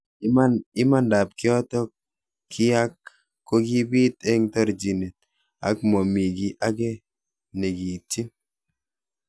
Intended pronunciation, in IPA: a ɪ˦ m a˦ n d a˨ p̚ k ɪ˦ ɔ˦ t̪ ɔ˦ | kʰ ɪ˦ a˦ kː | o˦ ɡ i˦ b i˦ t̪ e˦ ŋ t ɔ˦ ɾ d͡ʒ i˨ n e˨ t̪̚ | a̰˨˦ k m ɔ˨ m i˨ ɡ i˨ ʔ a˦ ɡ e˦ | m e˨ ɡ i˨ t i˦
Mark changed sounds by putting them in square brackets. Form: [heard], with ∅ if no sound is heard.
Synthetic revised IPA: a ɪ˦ m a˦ n d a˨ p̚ k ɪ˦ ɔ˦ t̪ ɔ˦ | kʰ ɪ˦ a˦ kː | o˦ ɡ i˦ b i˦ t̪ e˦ ŋ t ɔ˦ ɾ d͡ʒ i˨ n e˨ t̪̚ | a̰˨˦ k m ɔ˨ m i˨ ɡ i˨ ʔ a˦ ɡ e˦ | [n] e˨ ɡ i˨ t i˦